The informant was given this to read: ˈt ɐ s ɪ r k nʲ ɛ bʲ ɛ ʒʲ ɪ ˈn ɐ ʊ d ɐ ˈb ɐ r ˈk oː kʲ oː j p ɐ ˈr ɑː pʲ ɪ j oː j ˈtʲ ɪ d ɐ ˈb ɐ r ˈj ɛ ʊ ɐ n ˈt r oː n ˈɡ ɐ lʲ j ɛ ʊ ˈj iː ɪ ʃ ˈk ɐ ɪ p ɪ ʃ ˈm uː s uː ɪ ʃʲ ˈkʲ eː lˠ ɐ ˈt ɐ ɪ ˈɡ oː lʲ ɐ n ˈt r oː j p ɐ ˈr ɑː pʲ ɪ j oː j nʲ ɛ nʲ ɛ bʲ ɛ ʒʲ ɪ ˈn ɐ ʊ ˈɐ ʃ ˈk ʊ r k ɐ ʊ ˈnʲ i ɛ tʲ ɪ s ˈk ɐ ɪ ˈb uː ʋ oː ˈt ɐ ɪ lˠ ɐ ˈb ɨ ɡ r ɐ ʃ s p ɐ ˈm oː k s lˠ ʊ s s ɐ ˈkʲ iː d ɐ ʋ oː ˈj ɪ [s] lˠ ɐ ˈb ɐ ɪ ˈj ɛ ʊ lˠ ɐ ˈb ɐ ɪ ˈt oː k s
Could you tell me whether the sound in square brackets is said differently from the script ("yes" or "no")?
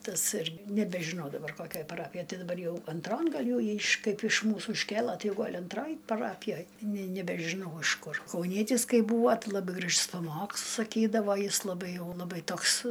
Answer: no